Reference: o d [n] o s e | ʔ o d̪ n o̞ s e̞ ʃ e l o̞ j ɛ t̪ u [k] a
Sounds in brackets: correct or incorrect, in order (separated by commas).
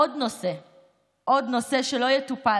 correct, incorrect